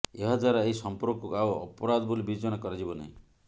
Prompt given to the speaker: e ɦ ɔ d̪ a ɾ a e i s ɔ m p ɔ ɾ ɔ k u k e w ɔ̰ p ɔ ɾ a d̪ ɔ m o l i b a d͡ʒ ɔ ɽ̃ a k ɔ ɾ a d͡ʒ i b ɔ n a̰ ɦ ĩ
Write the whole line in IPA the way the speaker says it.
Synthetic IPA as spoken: e ɦ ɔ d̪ a ɾ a e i s ɔ m p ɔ ɾ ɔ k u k a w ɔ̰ p ɔ ɾ a d̪ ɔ b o l i b i d͡ʒ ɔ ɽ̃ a k ɔ ɾ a d͡ʒ i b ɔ n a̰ ɦ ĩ